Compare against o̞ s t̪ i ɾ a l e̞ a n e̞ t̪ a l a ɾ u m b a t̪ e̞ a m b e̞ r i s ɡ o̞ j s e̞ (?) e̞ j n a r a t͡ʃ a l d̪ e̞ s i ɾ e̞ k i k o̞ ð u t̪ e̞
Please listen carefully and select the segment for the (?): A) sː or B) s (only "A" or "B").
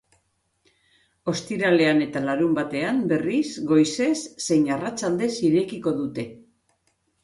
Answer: A